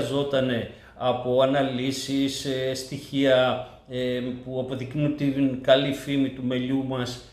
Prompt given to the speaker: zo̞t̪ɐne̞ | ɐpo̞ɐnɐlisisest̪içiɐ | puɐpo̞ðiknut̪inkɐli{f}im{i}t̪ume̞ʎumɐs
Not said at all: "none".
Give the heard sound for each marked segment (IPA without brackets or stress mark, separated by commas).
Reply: f, i